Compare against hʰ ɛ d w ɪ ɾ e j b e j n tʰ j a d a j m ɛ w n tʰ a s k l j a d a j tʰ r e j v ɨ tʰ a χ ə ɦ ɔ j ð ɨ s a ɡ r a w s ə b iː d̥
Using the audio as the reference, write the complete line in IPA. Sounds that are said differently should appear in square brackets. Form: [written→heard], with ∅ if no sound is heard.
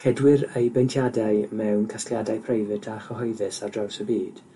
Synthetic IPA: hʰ ɛ d w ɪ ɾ e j b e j n tʰ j a d a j m ɛ w n [tʰ→kʰ] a s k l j a d a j [tʰ→pʰ] r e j v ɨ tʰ a χ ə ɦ ɔ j ð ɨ s a [ɡ→d] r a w s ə b iː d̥